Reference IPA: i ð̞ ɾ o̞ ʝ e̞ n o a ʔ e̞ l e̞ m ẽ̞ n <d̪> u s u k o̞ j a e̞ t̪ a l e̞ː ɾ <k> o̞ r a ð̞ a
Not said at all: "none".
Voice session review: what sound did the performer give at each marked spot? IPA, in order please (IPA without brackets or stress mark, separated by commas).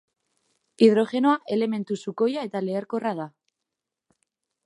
t̪, k